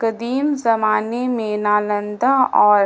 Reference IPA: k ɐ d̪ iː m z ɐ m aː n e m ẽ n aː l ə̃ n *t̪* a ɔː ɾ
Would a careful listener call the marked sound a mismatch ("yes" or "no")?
yes